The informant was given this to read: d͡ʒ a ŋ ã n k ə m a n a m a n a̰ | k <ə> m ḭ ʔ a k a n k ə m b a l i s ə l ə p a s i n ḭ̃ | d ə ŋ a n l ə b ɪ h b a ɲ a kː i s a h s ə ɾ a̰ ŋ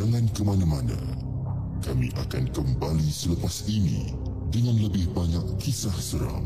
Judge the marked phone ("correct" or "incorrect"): incorrect